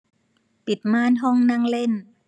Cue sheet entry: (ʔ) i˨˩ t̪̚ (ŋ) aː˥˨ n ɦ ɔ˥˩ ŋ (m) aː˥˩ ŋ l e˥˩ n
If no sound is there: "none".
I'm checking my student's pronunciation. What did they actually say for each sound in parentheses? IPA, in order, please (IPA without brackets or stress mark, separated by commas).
p, m, n